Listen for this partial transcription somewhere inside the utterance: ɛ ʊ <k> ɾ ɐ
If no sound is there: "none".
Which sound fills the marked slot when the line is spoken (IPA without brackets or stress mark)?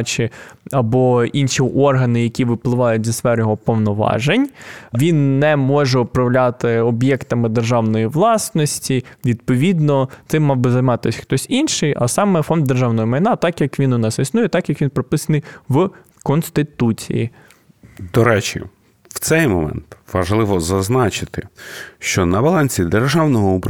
p